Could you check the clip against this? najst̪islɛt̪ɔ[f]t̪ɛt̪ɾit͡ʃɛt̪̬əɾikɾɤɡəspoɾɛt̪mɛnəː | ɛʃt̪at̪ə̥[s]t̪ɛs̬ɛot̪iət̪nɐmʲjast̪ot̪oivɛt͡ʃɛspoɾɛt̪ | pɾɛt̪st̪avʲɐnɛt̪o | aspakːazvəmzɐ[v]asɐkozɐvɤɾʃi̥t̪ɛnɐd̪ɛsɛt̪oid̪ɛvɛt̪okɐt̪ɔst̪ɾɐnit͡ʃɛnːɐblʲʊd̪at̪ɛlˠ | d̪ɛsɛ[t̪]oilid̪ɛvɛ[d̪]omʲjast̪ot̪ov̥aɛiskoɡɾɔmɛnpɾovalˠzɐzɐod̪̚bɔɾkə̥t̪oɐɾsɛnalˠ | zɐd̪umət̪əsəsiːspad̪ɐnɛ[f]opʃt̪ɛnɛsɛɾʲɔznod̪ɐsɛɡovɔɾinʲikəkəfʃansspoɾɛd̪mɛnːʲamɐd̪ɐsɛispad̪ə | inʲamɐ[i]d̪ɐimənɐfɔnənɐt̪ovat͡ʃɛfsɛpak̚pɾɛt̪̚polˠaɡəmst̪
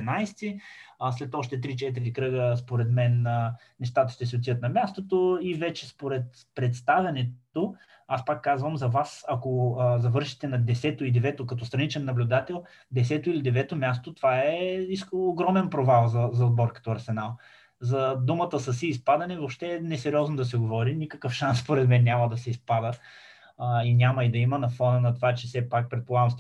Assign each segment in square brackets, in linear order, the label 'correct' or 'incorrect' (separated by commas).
incorrect, incorrect, correct, correct, incorrect, incorrect, correct